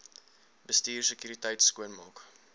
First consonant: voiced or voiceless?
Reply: voiced